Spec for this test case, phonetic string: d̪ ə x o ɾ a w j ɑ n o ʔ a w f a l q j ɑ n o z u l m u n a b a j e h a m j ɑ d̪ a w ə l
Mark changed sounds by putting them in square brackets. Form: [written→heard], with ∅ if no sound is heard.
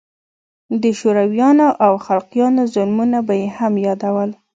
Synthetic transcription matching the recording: d̪ ə [x→ʃ] o ɾ a w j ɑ n o ʔ a w [f→x] a l q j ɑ n o z [u→ʊ] l m u n a b a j e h a m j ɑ d̪ a w ə l